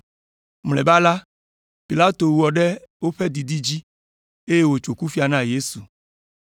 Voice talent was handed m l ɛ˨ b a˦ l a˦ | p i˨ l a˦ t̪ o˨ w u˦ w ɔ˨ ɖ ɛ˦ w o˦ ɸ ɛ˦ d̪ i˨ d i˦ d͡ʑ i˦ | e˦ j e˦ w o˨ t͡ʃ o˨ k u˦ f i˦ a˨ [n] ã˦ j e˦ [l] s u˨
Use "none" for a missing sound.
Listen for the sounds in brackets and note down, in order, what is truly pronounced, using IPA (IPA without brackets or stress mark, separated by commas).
n, none